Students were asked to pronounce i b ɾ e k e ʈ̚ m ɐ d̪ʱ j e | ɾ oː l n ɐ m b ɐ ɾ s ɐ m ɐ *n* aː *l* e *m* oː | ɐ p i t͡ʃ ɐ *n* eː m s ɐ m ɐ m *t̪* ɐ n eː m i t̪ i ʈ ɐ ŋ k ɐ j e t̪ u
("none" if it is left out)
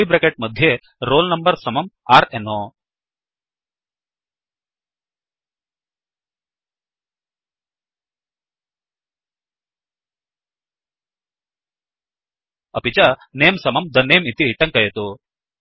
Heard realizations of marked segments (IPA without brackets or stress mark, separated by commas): m, ɾ, n, n, d̪